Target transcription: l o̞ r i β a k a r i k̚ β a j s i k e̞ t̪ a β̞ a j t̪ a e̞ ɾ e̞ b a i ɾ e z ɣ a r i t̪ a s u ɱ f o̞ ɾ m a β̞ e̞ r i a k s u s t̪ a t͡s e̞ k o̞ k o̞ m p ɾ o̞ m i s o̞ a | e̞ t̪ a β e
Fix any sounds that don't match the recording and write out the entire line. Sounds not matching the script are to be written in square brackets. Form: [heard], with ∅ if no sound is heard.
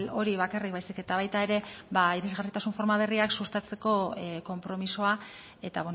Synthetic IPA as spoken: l o̞ [ɾ] i β a k a r i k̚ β a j s i k e̞ t̪ a β̞ a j t̪ a e̞ ɾ e̞ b a i ɾ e z ɣ a r i t̪ a s u ɱ f o̞ ɾ m a β̞ e̞ r i a k s u s t̪ a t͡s e̞ k o̞ k o̞ m p ɾ o̞ m i s o̞ a | e̞ t̪ a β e